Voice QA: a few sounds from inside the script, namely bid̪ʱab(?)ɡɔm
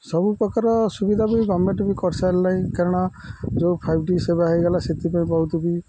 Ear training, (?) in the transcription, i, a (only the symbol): i